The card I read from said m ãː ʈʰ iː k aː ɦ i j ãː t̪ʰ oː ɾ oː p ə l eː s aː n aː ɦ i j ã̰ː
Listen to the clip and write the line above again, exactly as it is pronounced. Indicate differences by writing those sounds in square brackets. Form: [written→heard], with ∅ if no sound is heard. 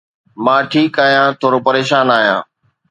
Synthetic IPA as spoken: m ãː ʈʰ iː k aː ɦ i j ãː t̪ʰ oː ɾ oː p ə [l→ɾ] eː [s→ʃ] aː n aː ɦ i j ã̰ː